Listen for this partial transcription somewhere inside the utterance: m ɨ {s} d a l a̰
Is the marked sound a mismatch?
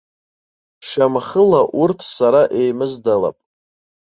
yes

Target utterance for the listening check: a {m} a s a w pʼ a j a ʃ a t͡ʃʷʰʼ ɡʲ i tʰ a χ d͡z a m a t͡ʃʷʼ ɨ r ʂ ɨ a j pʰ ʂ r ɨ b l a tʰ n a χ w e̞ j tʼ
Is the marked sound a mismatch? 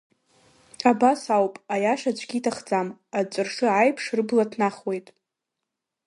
yes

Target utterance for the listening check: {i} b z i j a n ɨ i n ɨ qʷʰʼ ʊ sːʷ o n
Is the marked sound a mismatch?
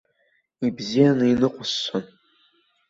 no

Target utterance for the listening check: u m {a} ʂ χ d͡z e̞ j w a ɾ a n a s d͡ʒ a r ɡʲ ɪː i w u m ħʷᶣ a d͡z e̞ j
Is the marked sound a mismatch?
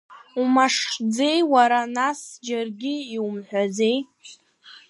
no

